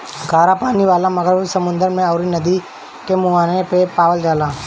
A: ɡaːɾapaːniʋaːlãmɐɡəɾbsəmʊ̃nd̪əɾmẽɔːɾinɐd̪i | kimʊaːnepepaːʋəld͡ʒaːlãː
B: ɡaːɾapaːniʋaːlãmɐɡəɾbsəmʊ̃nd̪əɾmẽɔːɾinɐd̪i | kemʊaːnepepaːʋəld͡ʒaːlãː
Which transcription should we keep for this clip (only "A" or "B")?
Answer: B